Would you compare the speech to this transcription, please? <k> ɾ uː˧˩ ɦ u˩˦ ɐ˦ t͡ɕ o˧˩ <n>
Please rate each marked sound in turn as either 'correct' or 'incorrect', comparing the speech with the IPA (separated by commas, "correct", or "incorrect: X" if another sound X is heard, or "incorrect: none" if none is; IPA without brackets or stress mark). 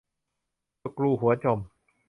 correct, incorrect: m